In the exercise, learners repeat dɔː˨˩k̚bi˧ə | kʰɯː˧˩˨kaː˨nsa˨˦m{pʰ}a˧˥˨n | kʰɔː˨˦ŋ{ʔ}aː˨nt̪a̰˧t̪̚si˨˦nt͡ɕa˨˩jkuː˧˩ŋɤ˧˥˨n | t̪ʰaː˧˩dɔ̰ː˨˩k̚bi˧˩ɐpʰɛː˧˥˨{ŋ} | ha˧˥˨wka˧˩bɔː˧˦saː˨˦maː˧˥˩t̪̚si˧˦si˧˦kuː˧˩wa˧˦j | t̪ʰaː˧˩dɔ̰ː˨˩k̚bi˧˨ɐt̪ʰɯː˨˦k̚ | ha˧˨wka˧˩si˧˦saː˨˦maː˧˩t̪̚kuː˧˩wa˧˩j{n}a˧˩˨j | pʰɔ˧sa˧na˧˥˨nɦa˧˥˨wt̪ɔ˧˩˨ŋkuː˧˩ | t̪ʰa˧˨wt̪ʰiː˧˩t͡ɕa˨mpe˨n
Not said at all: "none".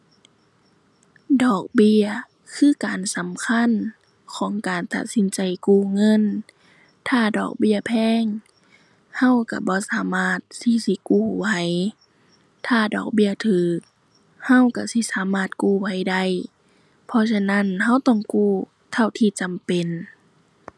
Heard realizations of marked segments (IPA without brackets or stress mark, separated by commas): kʰ, k, ŋ, d